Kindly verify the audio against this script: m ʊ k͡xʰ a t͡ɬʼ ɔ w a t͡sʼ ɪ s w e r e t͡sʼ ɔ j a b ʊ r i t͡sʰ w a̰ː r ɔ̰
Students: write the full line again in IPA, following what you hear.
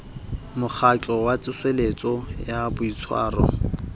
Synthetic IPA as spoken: m ʊ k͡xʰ a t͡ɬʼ ɔ w a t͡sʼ ɪ s w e l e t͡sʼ ɔ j a b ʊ i t͡sʰ w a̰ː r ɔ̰